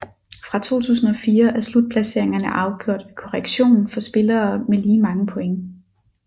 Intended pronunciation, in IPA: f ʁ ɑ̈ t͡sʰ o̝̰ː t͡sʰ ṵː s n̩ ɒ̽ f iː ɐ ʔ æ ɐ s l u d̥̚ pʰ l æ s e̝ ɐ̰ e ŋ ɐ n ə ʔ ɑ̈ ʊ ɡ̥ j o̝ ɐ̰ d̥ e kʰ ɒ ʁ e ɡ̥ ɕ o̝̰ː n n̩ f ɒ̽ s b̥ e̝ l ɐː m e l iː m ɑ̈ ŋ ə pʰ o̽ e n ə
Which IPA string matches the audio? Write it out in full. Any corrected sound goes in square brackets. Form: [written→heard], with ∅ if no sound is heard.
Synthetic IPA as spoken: f ʁ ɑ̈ t͡sʰ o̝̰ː t͡sʰ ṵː s n̩ ɒ̽ f iː ɐ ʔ æ ɐ s l u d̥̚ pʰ l æ s e̝ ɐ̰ e ŋ ɐ n ə ʔ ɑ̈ ʊ ɡ̥ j o̝ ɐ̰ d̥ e kʰ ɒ ʁ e ɡ̥ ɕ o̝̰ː n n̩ f ɒ̽ s b̥ e̝ l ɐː m e l iː m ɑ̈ ŋ ə pʰ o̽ e [n→ŋ] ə